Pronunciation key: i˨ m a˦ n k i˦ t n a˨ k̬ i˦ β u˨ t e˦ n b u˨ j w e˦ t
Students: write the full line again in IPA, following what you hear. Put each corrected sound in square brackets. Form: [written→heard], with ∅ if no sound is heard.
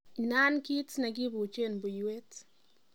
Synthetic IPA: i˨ [m→n] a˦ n k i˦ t n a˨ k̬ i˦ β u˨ [t→t͡ʃ] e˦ n b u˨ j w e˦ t